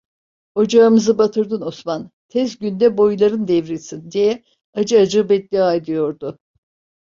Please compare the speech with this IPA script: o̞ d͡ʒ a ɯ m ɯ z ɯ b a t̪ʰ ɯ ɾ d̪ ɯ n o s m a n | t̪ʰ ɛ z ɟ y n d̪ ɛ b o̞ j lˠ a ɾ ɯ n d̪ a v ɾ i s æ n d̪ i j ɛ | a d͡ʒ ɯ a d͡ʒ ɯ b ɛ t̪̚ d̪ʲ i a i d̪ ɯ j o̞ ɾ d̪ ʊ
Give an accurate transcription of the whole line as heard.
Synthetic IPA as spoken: o̞ d͡ʒ a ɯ m ɯ z ɯ b a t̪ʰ ɯ ɾ d̪ ɯ n o s m a n | t̪ʰ ɛ z ɟ y n d̪ ɛ b o̞ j lˠ a ɾ ɯ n d̪ ɛ v ɾ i s i n d̪ i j ɛ | a d͡ʒ ɯ a d͡ʒ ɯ b ɛ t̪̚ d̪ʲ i a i d̪ ɯ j o̞ ɾ d̪ ʊ